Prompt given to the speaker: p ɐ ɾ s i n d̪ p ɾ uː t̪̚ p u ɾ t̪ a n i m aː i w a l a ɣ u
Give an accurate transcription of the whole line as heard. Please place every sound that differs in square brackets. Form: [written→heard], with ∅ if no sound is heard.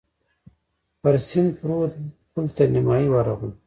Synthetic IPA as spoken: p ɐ ɾ s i n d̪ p ɾ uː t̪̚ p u [ɾ→l] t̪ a n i m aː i w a [l→ɾ] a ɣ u